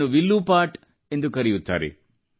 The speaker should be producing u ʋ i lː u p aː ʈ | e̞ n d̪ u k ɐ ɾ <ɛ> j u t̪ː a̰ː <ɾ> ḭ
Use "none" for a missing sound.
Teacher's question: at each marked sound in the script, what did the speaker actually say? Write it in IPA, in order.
i, ɾ

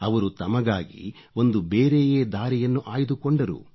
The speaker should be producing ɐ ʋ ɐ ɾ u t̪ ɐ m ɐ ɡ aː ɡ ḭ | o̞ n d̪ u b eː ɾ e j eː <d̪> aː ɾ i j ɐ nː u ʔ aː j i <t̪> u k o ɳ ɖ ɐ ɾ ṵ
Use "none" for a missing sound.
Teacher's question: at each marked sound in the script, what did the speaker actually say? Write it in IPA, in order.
d̪, d̪

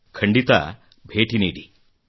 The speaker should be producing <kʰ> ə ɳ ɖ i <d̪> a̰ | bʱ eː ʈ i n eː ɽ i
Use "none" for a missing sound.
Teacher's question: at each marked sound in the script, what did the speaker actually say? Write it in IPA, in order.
kʰ, t̪

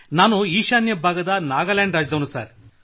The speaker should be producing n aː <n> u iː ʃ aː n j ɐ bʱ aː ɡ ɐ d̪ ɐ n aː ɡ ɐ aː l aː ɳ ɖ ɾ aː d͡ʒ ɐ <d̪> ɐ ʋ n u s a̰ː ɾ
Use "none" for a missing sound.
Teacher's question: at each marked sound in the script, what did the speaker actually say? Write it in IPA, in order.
n, d̪

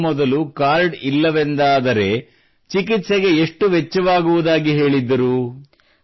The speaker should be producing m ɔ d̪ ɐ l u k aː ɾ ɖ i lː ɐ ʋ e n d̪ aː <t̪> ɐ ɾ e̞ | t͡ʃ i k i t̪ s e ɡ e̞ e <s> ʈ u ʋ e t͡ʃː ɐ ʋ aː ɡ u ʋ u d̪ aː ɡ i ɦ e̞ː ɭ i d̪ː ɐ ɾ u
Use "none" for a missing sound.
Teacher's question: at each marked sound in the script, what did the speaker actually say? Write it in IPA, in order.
d̪, ʂ

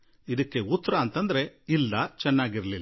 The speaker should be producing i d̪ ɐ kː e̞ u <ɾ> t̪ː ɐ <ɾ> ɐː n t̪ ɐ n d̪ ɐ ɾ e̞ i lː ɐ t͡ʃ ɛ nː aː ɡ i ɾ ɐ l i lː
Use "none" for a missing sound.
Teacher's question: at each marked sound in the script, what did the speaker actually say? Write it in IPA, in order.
none, ɾ

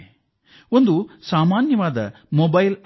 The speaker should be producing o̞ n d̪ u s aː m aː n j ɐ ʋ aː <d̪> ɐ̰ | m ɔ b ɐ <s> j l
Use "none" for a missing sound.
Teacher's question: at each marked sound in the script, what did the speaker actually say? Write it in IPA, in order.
d̪, none

